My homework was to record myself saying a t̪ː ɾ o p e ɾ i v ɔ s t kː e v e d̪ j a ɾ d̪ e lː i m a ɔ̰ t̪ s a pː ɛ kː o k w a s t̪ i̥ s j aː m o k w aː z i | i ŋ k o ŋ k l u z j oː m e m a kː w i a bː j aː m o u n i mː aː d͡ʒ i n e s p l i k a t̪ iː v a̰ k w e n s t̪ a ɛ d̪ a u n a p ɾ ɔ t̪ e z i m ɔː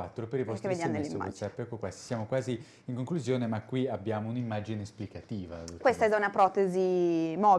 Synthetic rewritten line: a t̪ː ɾ o p e ɾ i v ɔ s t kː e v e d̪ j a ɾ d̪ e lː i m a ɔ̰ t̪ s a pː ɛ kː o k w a s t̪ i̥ s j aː m o k w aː z i | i ŋ k o ŋ k l u z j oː n e m a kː w i a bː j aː m o u n i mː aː d͡ʒ i n e s p l i k a t̪ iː v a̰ k w e s t̪ a ɛ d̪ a u n a p ɾ ɔ t̪ e z i m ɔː